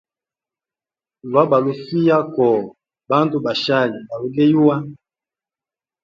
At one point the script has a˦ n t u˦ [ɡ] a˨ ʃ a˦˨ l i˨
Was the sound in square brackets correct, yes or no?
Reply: no